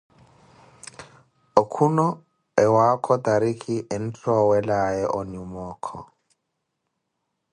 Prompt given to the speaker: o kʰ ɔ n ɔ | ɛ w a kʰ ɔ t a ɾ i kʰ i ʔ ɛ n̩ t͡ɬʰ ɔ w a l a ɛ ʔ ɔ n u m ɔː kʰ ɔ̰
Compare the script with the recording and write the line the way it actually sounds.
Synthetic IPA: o kʰ u n ɔ | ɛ w a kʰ ɔ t a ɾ i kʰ i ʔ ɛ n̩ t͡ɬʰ ɔ w ɛ l a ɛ ʔ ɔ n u m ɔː kʰ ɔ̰